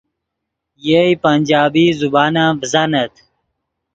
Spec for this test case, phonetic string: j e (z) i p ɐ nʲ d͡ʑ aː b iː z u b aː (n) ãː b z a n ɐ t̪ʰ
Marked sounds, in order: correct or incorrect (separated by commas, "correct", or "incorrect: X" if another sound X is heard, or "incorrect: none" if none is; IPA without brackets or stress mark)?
incorrect: none, correct